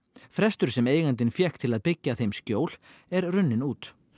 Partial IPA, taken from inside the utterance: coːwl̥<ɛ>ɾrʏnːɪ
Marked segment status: correct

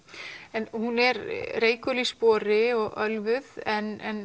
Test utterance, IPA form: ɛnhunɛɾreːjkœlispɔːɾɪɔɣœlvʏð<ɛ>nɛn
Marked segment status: correct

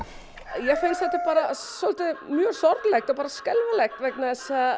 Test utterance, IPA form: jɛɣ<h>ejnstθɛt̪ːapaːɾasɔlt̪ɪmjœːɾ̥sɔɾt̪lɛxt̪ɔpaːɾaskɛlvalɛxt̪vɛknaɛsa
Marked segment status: incorrect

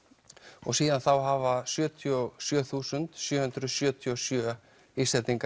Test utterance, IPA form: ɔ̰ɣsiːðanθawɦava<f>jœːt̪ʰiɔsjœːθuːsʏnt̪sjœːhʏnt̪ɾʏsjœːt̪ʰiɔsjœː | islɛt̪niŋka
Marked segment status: incorrect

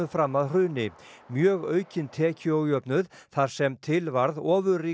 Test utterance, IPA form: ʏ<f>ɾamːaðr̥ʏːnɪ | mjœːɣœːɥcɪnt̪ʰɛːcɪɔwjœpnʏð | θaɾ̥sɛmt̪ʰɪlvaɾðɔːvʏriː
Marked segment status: correct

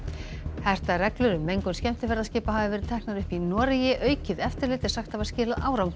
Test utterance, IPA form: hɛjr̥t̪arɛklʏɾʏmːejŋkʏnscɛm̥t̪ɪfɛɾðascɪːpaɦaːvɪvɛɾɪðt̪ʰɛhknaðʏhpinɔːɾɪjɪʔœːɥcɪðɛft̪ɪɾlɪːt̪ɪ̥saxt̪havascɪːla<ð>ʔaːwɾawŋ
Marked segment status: correct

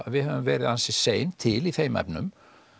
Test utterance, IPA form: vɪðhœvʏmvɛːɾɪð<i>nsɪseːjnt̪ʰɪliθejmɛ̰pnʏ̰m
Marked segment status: incorrect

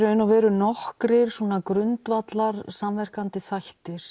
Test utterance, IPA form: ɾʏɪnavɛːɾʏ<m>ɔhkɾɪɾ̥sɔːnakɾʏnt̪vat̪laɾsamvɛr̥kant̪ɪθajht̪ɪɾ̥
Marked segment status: incorrect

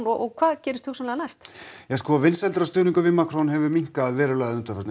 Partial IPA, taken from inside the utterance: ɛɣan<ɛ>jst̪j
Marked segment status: incorrect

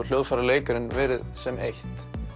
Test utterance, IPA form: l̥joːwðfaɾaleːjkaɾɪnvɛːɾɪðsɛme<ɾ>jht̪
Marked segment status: incorrect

